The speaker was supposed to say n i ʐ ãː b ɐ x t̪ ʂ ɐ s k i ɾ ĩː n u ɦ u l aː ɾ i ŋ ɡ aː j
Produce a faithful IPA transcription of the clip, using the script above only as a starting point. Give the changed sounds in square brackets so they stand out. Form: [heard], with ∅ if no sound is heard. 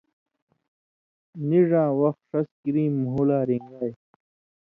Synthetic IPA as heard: n i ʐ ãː [w] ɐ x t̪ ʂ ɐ s k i ɾ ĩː [m] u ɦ u l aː ɾ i ŋ ɡ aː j

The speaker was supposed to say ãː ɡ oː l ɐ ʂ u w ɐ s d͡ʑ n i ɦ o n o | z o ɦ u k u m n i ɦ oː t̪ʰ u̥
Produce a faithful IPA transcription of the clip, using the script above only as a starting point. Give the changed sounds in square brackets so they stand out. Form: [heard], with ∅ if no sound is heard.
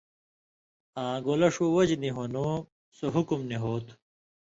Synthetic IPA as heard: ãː ɡ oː l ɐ ʂ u w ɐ [∅] d͡ʑ n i ɦ o n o | [s] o ɦ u k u m n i ɦ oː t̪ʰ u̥

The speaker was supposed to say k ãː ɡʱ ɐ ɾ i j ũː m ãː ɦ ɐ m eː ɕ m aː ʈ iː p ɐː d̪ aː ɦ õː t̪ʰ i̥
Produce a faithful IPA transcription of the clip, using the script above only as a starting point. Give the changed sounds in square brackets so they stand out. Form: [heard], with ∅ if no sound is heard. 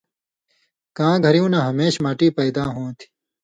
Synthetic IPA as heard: k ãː ɡʱ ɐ ɾ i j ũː [n] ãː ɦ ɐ m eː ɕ m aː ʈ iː p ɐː d̪ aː ɦ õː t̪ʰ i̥

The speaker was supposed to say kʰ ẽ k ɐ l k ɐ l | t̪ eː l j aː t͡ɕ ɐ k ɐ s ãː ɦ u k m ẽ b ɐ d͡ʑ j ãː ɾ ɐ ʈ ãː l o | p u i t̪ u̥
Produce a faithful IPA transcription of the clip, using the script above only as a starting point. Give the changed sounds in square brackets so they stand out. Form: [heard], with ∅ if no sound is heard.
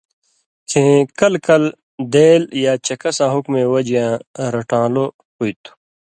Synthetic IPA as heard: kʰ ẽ k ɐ l k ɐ l | [d̪] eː l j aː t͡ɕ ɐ k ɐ s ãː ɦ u k m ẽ [w] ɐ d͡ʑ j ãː ɾ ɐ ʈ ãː l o | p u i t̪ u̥

